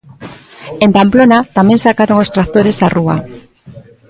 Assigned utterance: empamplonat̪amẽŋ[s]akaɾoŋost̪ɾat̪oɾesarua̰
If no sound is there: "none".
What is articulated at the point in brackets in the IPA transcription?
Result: s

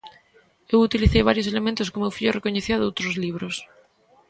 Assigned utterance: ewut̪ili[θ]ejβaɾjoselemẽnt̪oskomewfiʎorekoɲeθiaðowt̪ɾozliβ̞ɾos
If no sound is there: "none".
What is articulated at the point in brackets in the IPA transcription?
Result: θ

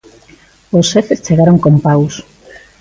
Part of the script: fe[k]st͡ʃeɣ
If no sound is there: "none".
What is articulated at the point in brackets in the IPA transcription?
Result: none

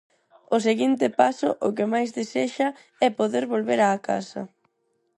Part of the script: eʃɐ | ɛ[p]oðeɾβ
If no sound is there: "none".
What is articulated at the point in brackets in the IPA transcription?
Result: p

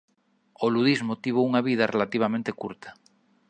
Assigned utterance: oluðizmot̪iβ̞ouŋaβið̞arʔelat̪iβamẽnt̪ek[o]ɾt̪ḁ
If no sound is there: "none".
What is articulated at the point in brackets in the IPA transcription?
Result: u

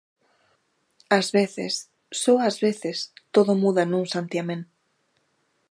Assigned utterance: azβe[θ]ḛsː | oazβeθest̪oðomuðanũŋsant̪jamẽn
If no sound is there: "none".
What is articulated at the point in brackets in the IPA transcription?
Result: θ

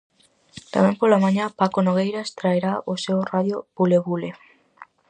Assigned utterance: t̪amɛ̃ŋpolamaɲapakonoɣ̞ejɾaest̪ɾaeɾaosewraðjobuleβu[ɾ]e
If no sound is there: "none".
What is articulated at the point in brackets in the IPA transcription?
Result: l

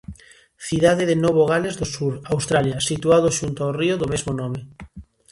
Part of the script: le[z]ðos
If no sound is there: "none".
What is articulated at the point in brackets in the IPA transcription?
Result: z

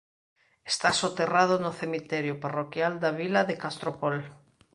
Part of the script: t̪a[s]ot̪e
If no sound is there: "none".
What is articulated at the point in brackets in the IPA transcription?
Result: s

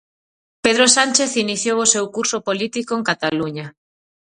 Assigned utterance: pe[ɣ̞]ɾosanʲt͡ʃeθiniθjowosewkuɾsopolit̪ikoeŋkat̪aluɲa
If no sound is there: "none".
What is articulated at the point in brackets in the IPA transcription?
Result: ð̞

